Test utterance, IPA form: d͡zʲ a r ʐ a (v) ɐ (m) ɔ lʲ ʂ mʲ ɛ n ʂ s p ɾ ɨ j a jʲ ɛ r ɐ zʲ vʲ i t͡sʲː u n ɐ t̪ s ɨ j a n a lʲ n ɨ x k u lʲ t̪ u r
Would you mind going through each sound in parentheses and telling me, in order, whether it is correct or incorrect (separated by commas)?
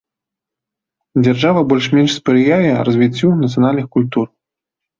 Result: correct, incorrect